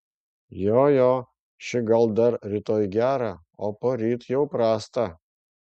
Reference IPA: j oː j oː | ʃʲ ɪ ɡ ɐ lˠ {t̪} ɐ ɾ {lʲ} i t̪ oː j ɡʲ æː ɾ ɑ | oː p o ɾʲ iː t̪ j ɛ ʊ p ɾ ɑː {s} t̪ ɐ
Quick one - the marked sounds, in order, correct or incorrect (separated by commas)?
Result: incorrect, incorrect, correct